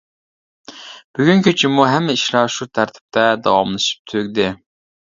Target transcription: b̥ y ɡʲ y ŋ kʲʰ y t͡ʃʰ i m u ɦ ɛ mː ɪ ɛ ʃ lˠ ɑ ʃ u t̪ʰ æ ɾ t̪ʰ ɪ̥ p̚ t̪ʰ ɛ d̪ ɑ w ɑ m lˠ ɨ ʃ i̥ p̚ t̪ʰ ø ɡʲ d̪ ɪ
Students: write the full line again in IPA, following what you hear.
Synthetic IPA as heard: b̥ y ɡʲ y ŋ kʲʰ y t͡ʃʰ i m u ɦ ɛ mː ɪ i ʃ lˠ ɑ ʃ u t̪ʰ æ ɾ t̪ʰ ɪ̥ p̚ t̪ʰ ɛ d̪ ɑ w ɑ m lˠ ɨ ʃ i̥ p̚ t̪ʰ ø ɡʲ d̪ ɪ

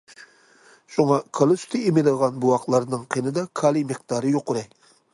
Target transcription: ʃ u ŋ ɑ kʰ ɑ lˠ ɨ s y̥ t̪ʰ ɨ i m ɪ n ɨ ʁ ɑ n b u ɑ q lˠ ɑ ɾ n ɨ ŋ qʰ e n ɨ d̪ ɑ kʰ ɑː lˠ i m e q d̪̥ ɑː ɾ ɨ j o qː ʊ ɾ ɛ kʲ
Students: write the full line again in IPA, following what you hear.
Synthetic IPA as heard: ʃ u ŋ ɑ kʰ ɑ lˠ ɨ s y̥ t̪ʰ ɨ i m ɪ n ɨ ʁ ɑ n b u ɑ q lˠ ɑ ɾ n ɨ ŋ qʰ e n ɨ d̪ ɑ kʰ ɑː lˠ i m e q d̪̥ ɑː ɾ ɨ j o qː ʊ ɾ ɛ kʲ

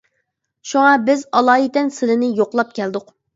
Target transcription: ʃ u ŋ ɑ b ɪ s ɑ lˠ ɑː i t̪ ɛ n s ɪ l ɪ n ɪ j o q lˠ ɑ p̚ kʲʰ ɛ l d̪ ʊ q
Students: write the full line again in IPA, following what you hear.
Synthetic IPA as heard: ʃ u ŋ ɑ b ɪ z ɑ lˠ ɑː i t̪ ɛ n s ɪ l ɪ n ɪ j o q lˠ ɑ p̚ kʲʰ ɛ l d̪ ʊ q

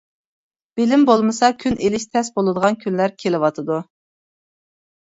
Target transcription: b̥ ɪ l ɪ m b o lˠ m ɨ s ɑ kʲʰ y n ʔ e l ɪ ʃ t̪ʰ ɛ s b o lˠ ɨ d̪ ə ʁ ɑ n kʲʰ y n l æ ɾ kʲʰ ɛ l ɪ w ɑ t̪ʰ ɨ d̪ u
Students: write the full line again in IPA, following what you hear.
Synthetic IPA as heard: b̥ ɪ l ɪ m b o lˠ m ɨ s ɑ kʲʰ y n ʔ e l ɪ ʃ t̪ʰ ɛ s b o lˠ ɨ d̪ ə ʁ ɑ n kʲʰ y n l æ ɾ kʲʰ e l ɪ w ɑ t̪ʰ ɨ d̪ u

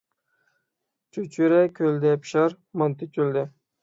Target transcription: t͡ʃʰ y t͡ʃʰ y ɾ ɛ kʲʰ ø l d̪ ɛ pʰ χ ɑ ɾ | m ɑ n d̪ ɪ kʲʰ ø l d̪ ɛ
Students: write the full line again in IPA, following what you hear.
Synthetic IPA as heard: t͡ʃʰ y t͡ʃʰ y ɾ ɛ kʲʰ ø l d̪ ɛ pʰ ʃ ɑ ɾ | m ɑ n t̪ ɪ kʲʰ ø l d̪ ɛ

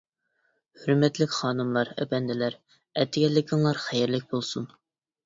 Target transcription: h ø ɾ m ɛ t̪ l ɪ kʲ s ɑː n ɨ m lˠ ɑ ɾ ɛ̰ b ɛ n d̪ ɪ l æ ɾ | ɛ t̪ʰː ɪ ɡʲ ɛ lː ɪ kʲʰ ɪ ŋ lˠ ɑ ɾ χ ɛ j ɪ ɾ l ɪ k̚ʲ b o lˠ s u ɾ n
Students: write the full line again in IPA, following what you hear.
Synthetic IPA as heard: h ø ɾ m ɛ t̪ l ɪ kʲ χ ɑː n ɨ m lˠ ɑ ɾ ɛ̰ b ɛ n d̪ ɪ l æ ɾ | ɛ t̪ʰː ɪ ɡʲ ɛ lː ɪ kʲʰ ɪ ŋ lˠ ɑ ɾ χ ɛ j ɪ ɾ l ɪ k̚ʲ b o lˠ s u n

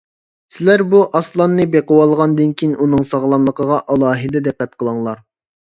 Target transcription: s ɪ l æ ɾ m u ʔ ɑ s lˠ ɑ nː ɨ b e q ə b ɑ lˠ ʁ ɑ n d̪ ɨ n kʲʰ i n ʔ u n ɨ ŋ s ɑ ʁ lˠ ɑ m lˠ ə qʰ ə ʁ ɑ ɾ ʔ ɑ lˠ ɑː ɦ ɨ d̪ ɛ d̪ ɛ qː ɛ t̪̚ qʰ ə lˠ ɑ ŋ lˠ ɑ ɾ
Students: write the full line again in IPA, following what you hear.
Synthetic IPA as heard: s ɪ l æ ɾ b u ʔ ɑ s lˠ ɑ nː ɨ b e q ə w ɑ lˠ ʁ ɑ n d̪ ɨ n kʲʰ i n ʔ u n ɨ ŋ s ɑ ʁ lˠ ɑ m lˠ ə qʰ ə ʁ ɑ ʔ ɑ lˠ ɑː ɦ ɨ d̪ ɛ d̪ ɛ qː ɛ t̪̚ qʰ ə lˠ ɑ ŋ lˠ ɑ ɾ

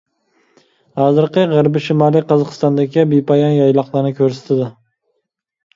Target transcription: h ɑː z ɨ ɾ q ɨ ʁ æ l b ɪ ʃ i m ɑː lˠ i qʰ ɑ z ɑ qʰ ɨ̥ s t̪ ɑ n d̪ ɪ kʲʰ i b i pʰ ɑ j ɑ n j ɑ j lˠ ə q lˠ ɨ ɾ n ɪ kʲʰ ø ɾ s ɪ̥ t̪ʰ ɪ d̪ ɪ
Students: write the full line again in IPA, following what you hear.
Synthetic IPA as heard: h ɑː z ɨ ɾ q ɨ ʁ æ ɾ b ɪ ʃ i m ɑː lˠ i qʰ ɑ z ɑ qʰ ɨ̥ s t̪ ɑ n d̪ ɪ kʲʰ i b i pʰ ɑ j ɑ n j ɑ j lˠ ɑ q lˠ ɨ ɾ n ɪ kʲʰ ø ɾ s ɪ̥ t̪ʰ ɪ d̪ ɪ

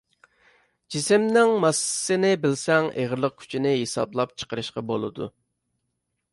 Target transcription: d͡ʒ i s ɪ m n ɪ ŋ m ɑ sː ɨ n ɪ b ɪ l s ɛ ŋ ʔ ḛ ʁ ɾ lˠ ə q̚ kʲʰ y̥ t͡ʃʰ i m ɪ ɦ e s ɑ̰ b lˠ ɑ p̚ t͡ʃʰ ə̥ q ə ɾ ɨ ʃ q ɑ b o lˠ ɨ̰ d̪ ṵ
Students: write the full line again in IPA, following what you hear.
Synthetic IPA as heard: d͡ʒ i s ɪ m n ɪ ŋ m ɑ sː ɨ n ɪ b ɪ l s ɛ ŋ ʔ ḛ ʁ ɾ lˠ ə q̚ kʲʰ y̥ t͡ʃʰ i n ɪ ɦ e s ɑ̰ b lˠ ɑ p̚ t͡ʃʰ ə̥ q ə ɾ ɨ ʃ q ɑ b o lˠ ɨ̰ d̪ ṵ

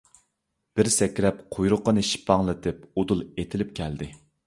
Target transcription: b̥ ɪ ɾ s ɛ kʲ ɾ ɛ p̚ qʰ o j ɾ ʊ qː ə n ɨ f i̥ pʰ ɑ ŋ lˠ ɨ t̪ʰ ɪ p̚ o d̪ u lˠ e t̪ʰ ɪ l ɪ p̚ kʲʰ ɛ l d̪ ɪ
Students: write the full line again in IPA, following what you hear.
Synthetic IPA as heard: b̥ ɪ ɾ s ɛ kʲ ɾ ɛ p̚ qʰ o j ɾ ʊ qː ə n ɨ ʃ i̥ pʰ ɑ ŋ lˠ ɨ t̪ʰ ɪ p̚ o d̪ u lˠ e t̪ʰ ɪ l ɪ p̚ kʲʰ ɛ l d̪ ɪ

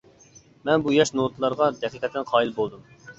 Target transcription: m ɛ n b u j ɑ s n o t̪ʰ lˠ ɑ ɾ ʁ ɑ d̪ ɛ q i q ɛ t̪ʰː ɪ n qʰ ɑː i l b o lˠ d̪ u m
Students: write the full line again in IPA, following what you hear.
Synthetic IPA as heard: m ɛ n b u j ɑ ʃ n o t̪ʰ lˠ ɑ ɾ ʁ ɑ d̪ ɛ q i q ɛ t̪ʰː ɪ n qʰ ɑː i l b o lˠ d̪ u m

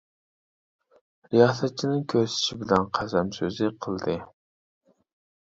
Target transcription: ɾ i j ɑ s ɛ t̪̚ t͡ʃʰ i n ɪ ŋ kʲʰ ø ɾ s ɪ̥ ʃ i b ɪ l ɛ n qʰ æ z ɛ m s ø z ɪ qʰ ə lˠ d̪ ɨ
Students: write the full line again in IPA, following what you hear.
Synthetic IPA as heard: ɾ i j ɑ s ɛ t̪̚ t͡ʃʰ i n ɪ ŋ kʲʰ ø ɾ s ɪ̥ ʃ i b ɪ l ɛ n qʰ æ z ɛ m s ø z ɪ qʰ ə lˠ d̪ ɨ

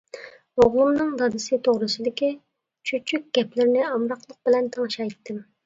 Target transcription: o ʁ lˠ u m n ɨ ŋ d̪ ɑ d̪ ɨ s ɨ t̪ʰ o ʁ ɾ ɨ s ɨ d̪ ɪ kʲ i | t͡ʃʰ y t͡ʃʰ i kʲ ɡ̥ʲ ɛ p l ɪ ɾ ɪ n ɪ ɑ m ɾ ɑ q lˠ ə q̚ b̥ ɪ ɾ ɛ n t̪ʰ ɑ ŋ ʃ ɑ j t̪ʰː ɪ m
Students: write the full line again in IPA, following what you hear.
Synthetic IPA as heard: o ʁ lˠ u m n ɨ ŋ d̪ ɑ d̪ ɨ s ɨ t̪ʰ o ʁ ɾ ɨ s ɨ d̪ ɪ kʲ i | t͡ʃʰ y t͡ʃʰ y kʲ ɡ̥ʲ ɛ p l ɪ ɾ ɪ n ɪ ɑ m ɾ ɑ q lˠ ə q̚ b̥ ɪ l ɛ n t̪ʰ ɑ ŋ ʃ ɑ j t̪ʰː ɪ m

